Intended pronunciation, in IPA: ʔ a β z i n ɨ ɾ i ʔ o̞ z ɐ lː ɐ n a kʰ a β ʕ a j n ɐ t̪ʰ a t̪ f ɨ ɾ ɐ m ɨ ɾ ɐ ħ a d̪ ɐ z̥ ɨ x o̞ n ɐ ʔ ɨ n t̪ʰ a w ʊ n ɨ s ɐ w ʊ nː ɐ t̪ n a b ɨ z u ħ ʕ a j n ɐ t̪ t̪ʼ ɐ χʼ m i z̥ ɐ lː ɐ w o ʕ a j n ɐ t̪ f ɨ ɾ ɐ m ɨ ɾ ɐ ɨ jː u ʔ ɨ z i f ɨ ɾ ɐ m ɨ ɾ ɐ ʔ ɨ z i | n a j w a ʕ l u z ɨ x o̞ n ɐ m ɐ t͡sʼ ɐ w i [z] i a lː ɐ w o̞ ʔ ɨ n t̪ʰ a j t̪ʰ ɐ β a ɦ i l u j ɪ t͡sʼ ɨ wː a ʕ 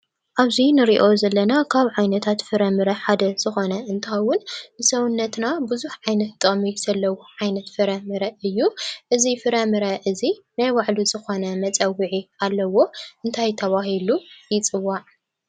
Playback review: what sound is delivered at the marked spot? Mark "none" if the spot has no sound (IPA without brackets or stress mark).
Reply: ʕ